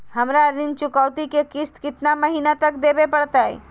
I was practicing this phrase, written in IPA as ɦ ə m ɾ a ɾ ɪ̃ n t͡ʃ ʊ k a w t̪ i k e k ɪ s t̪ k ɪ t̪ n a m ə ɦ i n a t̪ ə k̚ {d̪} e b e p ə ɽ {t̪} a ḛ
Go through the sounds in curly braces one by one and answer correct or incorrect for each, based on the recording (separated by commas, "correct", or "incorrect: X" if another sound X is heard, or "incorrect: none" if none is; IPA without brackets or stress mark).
correct, correct